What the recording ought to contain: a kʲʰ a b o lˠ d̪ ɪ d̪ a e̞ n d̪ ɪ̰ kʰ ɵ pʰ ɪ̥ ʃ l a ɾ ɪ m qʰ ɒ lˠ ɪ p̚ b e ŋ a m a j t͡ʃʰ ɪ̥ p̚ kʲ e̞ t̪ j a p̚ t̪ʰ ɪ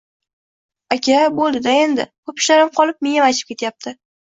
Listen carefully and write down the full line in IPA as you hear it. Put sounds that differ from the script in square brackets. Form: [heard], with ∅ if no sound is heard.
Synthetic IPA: a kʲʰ a b o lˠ d̪ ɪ d̪ a e̞ n d̪ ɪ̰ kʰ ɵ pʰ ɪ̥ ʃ l a ɾ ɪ m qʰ ɒ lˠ ɪ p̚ [m] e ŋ a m a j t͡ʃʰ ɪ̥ p̚ kʲ e̞ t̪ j a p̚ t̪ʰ ɪ